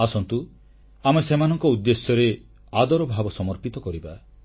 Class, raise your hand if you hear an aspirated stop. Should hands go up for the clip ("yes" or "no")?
no